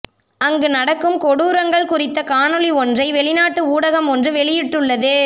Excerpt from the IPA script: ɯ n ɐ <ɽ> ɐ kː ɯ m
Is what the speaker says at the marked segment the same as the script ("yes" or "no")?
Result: yes